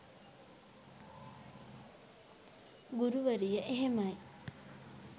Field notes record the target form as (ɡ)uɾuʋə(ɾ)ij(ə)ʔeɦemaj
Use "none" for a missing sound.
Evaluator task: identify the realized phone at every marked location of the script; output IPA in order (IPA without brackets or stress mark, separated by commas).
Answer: ɡ, ɾ, ə